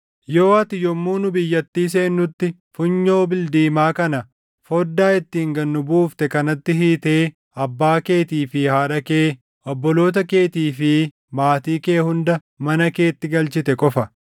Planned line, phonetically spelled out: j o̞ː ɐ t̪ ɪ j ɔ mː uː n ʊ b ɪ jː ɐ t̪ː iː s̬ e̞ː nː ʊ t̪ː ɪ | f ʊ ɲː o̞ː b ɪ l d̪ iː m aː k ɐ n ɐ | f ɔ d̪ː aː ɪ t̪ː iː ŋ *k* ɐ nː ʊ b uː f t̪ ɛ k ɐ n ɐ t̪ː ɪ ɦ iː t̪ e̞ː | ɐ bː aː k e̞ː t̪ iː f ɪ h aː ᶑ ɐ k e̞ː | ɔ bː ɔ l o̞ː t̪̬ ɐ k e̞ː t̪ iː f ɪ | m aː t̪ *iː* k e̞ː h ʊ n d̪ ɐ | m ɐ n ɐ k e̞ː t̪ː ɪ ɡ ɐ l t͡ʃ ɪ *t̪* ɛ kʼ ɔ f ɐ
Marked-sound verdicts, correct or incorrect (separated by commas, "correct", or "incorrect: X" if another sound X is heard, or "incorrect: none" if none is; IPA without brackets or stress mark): incorrect: ɡ, correct, correct